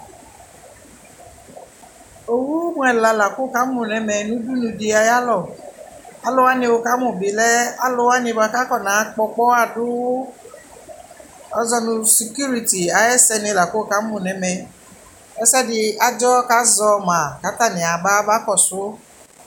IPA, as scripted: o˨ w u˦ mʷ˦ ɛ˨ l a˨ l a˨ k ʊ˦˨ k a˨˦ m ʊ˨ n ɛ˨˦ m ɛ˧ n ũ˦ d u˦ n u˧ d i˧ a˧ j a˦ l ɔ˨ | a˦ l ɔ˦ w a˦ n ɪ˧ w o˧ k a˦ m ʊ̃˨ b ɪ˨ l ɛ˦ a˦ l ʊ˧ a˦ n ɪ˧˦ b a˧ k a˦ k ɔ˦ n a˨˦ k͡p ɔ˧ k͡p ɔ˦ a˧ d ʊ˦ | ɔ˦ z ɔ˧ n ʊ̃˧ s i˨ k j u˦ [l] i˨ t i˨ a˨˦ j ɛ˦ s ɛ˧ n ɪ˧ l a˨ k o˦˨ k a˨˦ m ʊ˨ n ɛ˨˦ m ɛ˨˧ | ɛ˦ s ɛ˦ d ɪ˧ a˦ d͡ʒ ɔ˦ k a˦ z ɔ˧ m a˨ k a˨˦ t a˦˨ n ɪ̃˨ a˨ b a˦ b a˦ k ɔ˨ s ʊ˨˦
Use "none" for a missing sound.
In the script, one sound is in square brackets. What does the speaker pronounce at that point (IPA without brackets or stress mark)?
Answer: ɾ